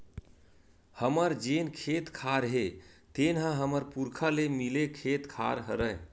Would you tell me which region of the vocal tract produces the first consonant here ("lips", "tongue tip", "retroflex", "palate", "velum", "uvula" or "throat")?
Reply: throat